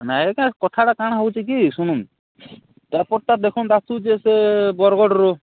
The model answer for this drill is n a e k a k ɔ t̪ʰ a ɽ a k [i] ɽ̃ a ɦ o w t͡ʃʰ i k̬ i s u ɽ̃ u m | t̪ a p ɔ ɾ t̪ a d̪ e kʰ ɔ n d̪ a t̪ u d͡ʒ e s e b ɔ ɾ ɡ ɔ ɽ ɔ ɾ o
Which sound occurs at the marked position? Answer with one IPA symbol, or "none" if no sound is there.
a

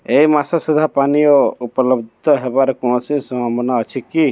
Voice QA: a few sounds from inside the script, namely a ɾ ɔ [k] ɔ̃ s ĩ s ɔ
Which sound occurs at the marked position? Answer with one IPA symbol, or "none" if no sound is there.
k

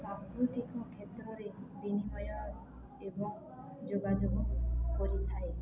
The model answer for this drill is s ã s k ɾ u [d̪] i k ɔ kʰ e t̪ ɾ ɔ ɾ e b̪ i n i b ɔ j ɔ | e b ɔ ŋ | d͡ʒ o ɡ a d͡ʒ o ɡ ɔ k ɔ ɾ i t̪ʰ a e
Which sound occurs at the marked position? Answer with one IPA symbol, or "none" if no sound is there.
t̪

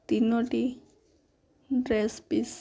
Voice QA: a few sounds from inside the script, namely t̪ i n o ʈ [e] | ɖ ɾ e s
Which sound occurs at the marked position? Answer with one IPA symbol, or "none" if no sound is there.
i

